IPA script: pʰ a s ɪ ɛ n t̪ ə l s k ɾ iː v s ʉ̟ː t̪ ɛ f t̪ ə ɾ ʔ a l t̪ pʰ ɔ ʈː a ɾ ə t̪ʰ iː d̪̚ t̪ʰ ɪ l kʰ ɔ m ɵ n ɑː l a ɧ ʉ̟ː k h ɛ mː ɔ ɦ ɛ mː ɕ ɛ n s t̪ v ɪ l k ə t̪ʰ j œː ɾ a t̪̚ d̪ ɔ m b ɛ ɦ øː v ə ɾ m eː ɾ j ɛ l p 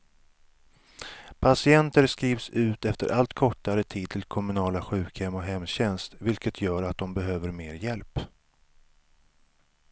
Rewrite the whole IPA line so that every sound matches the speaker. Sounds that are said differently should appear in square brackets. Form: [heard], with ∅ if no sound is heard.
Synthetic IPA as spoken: pʰ a s ɪ ɛ n t̪ ə [ɾ] s k ɾ iː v s ʉ̟ː t̪ ɛ f t̪ ə ɾ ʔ a l t̪ [kʰ] ɔ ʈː a ɾ ə t̪ʰ iː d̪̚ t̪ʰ ɪ l kʰ ɔ m ɵ n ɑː l a ɧ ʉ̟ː k h ɛ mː ɔ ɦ ɛ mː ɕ ɛ n s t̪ v ɪ l k ə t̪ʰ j œː ɾ a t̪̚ d̪ ɔ m b ɛ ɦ øː v ə ɾ m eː ɾ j ɛ l p